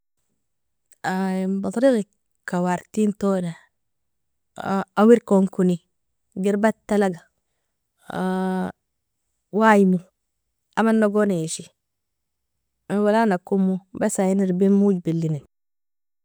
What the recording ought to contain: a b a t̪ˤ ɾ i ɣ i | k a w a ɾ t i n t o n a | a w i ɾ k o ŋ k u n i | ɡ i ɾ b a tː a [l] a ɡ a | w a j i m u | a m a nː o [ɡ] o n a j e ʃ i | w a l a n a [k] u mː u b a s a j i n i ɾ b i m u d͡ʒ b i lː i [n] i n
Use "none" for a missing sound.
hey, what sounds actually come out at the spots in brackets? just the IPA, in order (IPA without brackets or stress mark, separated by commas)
l, ɡ, k, n